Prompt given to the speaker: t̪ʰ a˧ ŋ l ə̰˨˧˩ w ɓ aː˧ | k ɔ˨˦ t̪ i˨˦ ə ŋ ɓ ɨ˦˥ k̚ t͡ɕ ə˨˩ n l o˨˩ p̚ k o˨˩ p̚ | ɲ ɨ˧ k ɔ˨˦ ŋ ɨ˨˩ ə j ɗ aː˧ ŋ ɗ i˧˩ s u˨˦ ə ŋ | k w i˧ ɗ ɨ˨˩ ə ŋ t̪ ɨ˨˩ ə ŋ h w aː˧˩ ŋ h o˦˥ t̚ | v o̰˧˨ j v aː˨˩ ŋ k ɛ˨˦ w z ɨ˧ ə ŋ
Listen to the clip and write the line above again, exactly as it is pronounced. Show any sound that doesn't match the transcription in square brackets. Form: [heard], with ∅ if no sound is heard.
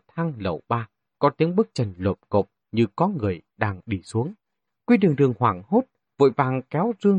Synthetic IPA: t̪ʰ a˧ ŋ l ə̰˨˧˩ w ɓ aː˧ | k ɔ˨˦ t̪ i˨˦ ə ŋ ɓ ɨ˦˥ k̚ t͡ɕ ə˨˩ n l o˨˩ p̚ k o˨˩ p̚ | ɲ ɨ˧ k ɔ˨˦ ŋ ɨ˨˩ ə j ɗ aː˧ ŋ ɗ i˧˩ s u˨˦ ə ŋ | k w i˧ ɗ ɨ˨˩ ə ŋ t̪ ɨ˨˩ ə ŋ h w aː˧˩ ŋ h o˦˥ t̚ | v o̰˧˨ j v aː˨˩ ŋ k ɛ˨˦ w z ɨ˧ ə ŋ